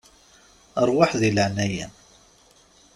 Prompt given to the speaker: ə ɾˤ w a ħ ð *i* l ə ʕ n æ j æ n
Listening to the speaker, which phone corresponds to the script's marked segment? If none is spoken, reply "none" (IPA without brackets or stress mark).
i